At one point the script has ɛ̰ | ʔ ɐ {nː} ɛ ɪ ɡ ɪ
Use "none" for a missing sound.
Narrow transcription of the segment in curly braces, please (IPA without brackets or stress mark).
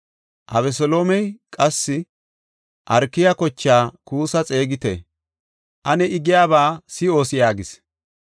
n